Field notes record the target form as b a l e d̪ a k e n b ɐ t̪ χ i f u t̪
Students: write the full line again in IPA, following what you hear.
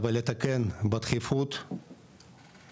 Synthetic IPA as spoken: v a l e t̪ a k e n b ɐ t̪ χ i f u t̪